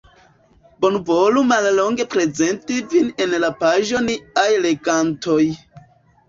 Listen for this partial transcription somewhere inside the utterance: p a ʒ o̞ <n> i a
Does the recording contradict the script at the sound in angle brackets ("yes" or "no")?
no